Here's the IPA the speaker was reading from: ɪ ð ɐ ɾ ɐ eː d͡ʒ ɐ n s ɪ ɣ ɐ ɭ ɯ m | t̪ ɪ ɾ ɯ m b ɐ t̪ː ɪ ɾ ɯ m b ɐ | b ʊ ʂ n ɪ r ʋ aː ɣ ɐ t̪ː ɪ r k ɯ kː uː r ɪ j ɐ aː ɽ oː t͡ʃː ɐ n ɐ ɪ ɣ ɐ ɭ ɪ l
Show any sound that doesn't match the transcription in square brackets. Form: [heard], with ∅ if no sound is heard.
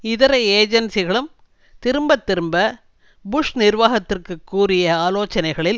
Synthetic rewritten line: ɪ ð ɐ ɾ ɐ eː d͡ʒ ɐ n s ɪ ɣ ɐ ɭ ɯ m | t̪ ɪ ɾ ɯ m b ɐ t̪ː ɪ ɾ ɯ m b ɐ | b ʊ ʂ n ɪ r ʋ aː ɣ ɐ t̪ː ɪ r k ɯ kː uː r ɪ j ɐ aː [l] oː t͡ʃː ɐ n ɐ ɪ ɣ ɐ ɭ ɪ l